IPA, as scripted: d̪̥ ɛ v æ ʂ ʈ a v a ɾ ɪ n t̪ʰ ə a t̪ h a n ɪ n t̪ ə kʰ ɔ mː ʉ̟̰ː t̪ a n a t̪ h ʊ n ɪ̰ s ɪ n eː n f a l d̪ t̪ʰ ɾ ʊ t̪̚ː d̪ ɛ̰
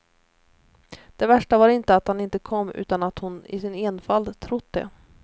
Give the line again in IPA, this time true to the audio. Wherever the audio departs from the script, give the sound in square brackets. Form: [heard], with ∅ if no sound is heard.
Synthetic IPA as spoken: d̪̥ ɛ v æ ʂ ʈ a v a ɾ ɪ n [t̪] ə a t̪ h a n ɪ n t̪ ə kʰ ɔ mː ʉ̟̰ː t̪ a n a t̪ h ʊ n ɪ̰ s ɪ n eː n f a l d̪ t̪ʰ ɾ ʊ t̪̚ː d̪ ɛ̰